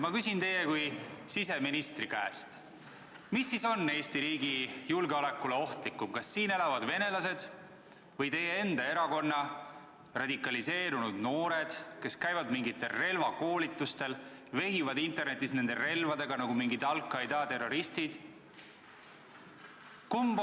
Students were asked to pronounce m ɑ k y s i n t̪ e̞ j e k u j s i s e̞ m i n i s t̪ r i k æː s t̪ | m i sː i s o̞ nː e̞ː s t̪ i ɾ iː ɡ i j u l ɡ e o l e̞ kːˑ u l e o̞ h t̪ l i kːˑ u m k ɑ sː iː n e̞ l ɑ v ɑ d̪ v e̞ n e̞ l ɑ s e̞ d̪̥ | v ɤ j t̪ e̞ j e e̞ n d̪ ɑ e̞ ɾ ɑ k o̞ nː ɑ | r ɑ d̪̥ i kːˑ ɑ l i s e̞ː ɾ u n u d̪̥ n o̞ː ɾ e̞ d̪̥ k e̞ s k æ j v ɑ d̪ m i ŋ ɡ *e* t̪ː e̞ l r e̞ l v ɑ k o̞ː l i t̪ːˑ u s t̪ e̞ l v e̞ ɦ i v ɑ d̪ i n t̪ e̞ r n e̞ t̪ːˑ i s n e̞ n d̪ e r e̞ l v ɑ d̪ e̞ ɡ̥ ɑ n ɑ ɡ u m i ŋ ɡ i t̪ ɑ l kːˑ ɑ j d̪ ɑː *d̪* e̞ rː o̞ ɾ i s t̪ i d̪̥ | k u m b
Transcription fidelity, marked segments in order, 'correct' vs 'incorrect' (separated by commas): incorrect, incorrect